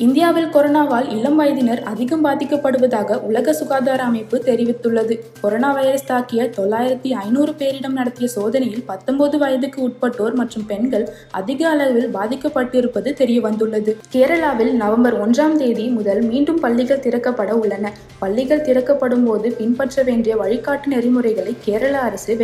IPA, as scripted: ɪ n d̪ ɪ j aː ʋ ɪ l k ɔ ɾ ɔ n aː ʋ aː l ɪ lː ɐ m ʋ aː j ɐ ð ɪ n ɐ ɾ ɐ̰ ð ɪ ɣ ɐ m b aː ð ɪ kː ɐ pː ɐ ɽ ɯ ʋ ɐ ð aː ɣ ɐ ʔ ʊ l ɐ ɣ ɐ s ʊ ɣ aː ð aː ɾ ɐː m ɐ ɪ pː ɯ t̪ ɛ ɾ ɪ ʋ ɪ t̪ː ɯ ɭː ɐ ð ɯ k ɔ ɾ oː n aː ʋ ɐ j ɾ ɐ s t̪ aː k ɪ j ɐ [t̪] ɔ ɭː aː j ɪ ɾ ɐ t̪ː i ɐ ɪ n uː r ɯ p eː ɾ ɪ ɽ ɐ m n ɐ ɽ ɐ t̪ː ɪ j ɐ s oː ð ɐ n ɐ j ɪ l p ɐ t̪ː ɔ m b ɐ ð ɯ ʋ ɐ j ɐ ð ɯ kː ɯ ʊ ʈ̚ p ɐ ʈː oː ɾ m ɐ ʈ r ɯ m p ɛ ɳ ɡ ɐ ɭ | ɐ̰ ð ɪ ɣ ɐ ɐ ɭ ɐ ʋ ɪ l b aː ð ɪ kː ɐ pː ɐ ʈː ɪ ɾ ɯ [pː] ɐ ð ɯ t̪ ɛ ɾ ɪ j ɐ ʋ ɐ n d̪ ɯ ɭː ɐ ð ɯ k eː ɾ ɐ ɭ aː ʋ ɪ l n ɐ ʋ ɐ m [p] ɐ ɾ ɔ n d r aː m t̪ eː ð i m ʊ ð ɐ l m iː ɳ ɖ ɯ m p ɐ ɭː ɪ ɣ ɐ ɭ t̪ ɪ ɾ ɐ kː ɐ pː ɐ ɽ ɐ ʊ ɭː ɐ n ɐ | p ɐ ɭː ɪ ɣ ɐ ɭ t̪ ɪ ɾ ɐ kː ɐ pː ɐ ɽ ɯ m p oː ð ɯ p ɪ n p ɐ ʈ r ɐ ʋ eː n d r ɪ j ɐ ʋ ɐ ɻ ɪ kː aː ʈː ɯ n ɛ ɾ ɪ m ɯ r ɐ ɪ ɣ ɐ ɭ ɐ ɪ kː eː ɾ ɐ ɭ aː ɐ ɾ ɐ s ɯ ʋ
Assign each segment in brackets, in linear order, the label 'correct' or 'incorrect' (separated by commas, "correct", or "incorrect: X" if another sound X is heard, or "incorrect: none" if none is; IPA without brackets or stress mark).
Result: correct, correct, incorrect: b